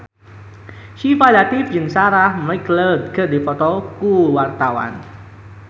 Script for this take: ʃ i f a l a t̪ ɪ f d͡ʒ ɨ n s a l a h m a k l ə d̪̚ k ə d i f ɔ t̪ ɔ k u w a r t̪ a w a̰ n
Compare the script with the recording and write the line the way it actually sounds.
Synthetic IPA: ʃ i f a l a t̪ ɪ f d͡ʒ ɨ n s a ɾ a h m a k l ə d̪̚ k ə d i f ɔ t̪ ɔ k u w a r t̪ a w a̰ n